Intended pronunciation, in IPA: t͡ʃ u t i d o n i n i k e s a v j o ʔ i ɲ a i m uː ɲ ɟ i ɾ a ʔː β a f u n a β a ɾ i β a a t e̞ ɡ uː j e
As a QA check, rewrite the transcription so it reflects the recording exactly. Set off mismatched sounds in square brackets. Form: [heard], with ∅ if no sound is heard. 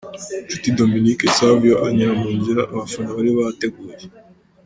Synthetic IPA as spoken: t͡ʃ u t i d o [m] i n i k e s a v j o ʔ [a] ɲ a [a] m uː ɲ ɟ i ɾ a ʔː β a f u n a β a ɾ i β a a t e̞ ɡ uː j e

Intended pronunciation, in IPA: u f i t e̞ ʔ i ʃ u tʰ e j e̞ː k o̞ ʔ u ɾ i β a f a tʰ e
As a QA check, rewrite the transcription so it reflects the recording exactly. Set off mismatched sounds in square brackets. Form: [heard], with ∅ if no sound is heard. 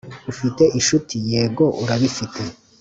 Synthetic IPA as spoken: u f i t e̞ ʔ i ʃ u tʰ [i] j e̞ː [ɡ] o̞ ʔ u ɾ [a] β [i] f [i] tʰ e

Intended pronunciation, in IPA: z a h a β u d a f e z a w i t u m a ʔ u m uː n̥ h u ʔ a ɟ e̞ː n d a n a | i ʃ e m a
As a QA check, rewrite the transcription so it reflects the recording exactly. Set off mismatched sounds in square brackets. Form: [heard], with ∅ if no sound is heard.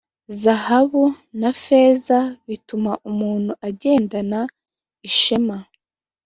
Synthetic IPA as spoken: z a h a β u [n] a f e z a [β] i t u m a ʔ u m uː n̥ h u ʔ a ɟ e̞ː n d a n a | i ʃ e m a

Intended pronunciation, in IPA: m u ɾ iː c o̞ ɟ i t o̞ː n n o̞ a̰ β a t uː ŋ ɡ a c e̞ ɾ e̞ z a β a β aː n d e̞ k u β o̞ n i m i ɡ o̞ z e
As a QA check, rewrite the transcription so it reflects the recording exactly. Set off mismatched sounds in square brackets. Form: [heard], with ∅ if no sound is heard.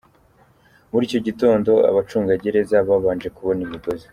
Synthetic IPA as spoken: m u ɾ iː c o̞ ɟ i t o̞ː n [d] o̞ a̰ β a [t͡ʃ] uː ŋ ɡ a [ɟ] e̞ ɾ e̞ z a β a β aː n [d͡ʒ] e̞ k u β o̞ n i m i ɡ o̞ z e

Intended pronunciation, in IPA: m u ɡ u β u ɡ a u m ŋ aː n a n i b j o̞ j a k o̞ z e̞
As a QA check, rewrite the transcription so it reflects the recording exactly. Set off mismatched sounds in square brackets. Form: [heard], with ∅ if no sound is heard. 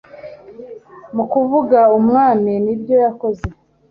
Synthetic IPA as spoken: m u [k] u [v] u ɡ a u m ŋ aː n [i] n i b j o̞ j a k o̞ z e̞

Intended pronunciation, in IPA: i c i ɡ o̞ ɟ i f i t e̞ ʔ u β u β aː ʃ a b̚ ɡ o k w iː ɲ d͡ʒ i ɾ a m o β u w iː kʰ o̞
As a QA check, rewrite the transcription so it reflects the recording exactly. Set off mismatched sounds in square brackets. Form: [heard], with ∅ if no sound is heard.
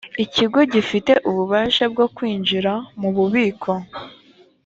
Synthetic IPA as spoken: i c i ɡ o̞ ɟ i f i t e̞ ʔ u β u β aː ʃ a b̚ ɡ o k w iː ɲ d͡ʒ i ɾ a m [u] β u [β] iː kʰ o̞

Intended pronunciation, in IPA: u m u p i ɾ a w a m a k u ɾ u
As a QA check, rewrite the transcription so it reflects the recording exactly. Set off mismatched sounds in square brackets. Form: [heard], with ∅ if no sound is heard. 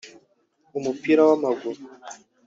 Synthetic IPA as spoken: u m u p i ɾ a w a m a [ɡ] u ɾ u

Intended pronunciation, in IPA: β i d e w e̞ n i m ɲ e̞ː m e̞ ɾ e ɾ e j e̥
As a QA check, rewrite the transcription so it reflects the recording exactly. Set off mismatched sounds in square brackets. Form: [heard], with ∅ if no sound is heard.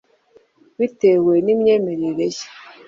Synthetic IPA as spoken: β i [t] e w e̞ n i m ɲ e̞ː m e̞ ɾ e ɾ e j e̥

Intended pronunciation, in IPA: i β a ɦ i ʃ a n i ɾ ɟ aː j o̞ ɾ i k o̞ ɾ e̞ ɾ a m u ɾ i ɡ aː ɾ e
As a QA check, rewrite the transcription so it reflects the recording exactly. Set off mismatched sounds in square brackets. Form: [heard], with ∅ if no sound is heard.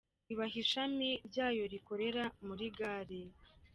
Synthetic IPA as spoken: i β a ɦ i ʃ a [m] i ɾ ɟ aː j o̞ ɾ i k o̞ ɾ e̞ ɾ a m u ɾ i ɡ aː ɾ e

